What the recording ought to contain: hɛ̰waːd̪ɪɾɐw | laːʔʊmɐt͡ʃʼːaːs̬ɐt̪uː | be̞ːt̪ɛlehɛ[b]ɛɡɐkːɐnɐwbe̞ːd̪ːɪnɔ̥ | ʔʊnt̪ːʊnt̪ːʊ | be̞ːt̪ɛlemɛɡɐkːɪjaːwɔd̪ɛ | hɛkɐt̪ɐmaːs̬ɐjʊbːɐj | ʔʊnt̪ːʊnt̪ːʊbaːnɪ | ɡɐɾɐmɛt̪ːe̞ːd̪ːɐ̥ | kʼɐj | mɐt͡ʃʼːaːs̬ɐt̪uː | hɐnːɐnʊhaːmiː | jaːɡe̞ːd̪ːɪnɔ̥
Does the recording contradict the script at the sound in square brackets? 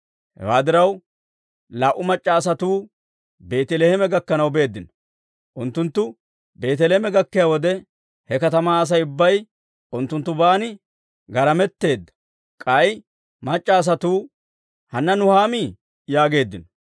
yes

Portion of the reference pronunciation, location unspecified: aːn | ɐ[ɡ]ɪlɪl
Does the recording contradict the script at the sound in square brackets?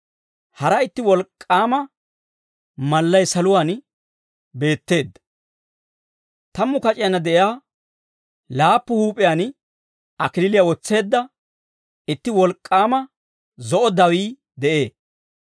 yes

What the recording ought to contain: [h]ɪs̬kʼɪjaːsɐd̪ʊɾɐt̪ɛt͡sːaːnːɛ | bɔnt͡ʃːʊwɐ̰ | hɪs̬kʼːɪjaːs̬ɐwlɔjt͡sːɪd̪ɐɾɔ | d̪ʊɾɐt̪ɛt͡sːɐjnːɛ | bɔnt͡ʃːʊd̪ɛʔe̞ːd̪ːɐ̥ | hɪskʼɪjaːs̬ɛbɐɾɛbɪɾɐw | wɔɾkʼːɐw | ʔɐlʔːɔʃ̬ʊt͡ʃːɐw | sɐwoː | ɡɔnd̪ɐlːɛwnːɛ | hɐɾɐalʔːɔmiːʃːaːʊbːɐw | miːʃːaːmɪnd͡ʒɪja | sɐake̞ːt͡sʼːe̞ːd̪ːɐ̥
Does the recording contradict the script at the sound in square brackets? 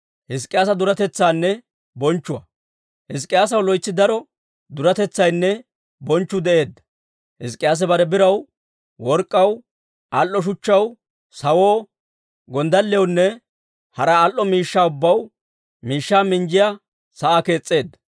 no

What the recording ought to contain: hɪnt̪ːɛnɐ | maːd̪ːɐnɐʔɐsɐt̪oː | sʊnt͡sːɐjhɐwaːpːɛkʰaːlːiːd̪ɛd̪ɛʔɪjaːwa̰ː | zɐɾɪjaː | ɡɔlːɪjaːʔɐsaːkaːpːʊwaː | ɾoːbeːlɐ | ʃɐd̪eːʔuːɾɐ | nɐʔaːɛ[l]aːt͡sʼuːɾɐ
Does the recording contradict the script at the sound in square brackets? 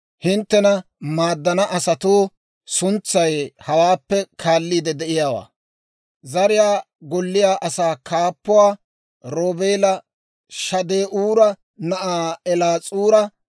no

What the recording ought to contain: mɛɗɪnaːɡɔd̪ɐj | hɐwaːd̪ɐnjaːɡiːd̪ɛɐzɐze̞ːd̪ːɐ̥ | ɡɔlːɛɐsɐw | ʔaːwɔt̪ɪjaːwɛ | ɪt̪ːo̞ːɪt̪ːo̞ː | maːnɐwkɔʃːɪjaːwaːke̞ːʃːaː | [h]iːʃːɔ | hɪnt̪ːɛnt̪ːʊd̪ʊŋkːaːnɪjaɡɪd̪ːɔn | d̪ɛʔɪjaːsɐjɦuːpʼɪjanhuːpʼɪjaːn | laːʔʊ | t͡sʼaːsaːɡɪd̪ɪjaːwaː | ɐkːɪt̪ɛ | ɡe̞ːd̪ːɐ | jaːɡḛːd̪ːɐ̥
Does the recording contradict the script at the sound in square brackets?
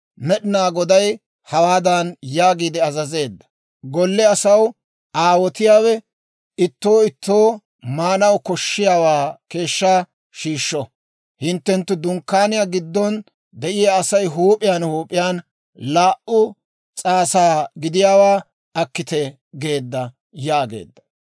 yes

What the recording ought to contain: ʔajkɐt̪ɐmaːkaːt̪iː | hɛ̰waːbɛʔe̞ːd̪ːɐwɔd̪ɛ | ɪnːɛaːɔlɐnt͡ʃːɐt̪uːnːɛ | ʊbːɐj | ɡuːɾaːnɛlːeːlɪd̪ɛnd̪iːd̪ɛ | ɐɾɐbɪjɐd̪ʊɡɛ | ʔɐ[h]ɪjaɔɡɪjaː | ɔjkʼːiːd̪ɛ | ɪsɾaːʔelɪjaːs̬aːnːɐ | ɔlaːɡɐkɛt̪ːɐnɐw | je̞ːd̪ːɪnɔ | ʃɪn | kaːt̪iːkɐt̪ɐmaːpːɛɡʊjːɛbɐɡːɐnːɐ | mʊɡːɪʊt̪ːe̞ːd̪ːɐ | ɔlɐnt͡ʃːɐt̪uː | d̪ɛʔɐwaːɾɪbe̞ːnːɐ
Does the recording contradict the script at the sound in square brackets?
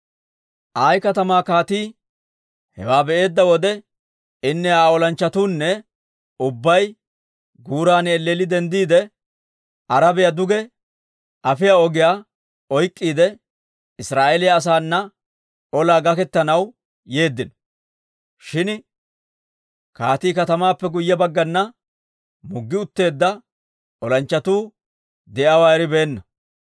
yes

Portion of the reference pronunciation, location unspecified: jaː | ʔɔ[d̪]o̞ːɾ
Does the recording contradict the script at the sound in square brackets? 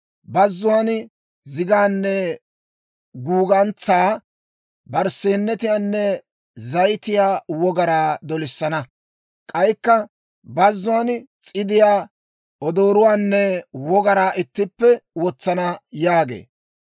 no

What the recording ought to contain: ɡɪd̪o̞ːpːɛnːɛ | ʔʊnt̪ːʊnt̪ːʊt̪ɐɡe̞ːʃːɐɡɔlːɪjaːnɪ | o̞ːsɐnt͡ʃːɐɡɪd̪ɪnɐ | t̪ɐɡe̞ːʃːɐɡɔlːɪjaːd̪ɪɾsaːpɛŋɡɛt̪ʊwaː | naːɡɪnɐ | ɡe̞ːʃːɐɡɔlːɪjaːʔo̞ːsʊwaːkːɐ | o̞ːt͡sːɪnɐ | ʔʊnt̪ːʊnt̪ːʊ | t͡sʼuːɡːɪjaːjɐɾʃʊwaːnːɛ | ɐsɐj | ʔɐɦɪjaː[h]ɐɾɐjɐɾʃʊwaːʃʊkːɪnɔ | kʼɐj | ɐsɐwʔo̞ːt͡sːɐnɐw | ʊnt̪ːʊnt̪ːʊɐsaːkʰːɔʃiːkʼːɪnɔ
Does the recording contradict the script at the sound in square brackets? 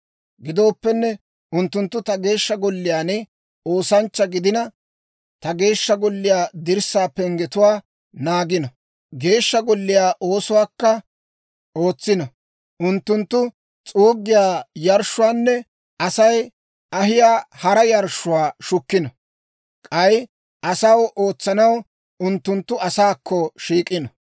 no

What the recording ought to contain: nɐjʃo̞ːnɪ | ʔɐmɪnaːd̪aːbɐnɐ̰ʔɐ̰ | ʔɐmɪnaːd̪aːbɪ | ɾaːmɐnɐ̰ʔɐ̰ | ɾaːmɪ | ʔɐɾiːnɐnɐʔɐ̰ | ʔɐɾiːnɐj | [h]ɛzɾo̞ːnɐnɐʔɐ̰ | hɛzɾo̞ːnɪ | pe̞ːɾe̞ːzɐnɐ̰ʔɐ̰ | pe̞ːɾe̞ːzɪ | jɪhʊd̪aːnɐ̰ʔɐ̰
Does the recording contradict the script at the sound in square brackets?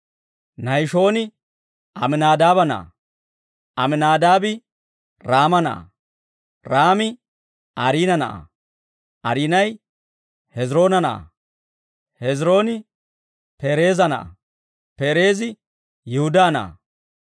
no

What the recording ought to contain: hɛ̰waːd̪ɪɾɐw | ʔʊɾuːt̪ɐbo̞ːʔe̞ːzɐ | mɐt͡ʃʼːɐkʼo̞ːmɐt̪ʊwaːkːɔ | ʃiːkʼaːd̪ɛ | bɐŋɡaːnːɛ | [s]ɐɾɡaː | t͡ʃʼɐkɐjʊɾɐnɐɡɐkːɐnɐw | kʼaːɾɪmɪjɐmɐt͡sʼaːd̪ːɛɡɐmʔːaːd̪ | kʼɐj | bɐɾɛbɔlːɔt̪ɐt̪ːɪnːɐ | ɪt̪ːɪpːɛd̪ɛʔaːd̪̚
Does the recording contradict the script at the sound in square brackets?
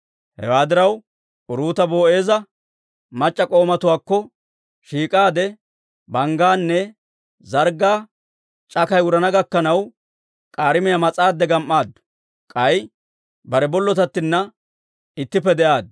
yes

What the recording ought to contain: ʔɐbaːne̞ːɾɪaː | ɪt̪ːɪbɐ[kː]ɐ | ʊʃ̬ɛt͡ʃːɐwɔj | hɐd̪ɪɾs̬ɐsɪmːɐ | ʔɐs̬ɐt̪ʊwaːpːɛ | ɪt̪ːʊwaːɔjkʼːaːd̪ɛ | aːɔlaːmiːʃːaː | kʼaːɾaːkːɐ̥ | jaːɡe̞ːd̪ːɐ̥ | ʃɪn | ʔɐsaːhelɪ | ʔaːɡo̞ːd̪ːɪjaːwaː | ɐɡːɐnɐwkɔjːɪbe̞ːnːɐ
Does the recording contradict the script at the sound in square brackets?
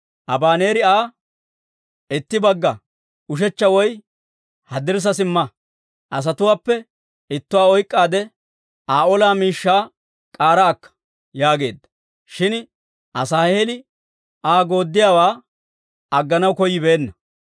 yes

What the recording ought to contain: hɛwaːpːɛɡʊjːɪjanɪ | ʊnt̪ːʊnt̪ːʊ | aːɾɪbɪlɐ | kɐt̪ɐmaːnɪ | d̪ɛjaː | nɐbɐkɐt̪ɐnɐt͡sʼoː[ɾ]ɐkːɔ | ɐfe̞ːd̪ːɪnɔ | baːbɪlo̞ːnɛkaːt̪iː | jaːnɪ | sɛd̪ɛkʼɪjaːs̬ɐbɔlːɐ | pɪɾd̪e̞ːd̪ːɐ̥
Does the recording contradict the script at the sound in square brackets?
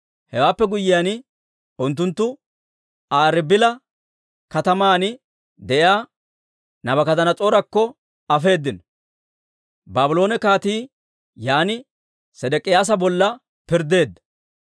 no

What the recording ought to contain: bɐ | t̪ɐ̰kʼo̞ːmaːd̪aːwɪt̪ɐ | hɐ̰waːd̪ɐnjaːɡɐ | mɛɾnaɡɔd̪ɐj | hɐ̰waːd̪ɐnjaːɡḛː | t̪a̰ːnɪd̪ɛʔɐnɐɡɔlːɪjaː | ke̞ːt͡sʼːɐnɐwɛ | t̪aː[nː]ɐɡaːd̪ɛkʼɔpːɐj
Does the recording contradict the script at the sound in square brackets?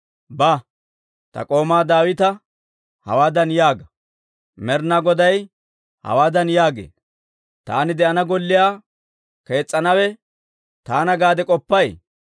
yes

